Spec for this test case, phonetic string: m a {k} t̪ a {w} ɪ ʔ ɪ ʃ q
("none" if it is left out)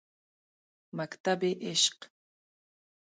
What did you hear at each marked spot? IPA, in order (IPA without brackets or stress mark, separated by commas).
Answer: k, b